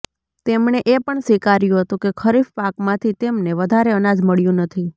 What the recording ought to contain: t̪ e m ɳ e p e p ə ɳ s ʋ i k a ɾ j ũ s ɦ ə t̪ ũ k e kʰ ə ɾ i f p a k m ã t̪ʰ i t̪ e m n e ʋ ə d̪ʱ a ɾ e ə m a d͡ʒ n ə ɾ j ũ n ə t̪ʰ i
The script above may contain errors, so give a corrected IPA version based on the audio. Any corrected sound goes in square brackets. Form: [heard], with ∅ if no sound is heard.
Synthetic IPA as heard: t̪ e m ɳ e [ʔ] e p ə ɳ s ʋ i k a ɾ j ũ [∅] ɦ ə t̪ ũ k e kʰ ə ɾ i f p a k m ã t̪ʰ i t̪ e m n e ʋ ə d̪ʱ a ɾ e ə [n] a d͡ʒ [m] ə [ɭ] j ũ n ə t̪ʰ i